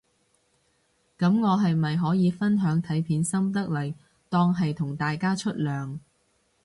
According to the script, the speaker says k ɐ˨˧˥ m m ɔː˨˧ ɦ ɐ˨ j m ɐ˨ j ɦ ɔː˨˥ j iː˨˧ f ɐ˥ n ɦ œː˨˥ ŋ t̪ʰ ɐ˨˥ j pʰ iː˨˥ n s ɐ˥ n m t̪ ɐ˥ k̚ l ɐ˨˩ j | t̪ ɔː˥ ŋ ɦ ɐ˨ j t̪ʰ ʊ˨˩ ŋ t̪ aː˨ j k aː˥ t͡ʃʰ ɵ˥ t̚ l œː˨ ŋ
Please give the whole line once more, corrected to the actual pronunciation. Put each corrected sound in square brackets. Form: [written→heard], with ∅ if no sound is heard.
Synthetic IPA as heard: k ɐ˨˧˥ m [m→ŋ] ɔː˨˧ ɦ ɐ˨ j m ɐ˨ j ɦ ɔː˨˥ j iː˨˧ f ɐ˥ n ɦ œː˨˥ ŋ t̪ʰ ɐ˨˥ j pʰ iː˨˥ n s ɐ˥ [n→∅] m t̪ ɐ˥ k̚ l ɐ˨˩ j | t̪ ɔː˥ ŋ ɦ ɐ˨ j t̪ʰ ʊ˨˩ ŋ t̪ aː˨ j k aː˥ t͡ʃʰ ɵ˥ t̚ l œː˨ ŋ